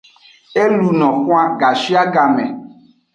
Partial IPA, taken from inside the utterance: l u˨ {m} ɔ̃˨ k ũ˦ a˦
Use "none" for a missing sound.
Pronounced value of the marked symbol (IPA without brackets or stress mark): n